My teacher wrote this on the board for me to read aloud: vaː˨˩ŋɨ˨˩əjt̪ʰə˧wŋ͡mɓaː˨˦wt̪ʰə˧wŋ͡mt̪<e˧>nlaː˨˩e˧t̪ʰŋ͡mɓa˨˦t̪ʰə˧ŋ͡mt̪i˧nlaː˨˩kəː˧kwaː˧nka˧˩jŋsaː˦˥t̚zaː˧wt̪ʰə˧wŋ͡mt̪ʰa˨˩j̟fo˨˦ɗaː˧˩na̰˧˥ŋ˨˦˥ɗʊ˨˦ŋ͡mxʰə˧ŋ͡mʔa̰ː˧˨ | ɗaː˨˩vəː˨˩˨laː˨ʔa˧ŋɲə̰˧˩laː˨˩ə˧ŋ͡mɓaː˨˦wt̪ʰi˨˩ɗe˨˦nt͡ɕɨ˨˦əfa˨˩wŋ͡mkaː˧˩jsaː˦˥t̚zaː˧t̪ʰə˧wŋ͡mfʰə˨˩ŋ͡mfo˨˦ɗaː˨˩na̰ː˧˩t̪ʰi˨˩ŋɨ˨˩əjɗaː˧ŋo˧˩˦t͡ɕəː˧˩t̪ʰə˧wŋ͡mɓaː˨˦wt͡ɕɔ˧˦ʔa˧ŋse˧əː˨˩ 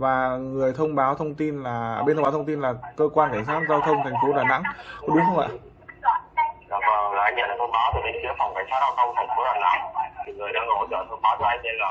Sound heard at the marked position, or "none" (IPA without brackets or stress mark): i˧